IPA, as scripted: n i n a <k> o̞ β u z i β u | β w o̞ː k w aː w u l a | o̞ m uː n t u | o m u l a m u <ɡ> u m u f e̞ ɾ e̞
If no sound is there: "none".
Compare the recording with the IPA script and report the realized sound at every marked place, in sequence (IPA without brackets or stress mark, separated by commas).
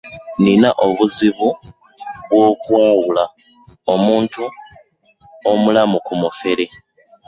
ʔ, k